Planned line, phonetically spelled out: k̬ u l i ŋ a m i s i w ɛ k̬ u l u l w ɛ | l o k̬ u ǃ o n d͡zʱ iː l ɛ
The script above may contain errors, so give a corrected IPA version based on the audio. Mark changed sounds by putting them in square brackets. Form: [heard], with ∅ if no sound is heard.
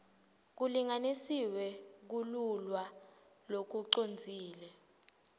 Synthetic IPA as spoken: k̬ u l i ŋ a [n] i s i w ɛ k̬ u l u l w [a] | l o k̬ u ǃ o n d͡zʱ iː l ɛ